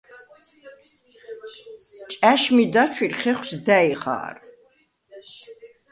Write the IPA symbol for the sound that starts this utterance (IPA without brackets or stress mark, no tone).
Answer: t͡ʃʼ